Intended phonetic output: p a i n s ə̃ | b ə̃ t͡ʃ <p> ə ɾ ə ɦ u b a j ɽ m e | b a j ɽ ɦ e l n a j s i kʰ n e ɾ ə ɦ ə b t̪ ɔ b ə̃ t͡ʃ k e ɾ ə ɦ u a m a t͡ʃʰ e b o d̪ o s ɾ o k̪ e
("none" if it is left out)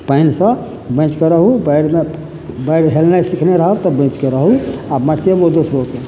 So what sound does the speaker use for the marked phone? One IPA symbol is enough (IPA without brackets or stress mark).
k